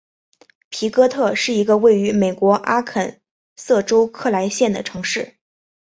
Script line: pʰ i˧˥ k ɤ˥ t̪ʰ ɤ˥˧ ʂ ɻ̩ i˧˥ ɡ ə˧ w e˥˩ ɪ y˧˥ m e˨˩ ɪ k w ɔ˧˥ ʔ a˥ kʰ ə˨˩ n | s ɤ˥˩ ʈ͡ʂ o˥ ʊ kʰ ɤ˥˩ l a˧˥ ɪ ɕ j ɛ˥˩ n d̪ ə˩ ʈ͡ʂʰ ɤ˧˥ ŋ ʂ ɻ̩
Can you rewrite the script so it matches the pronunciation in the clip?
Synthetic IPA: pʰ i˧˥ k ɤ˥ t̪ʰ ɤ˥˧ ʂ ɻ̩ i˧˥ ɡ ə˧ w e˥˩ ɪ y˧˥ m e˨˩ ɪ k w ɔ˧˥ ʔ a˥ kʰ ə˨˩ n | s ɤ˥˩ ʈ͡ʂ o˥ ʊ kʰ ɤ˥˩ l a˧˥ ɪ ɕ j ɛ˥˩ n d̪ ə˩ ʈ͡ʂʰ ɤ˧˥ ŋ ʂ ɻ̩

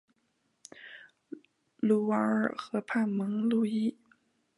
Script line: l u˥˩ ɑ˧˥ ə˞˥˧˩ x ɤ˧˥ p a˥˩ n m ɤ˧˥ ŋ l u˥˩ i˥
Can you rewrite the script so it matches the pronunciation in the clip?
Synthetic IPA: l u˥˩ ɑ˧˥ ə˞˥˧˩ x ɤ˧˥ pʰ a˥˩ n m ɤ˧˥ ŋ l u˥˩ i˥

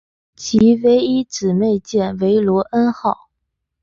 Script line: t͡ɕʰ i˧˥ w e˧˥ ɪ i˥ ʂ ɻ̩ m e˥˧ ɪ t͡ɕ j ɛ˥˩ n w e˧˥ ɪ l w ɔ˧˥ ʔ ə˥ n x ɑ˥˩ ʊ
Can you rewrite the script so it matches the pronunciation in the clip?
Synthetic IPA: t͡ɕʰ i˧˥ w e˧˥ ɪ i˥ ʈ͡ʂ ɻ̩ m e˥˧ ɪ t͡ɕ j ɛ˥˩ n w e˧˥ ɪ l w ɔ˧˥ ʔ ə˥ n x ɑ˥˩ ʊ

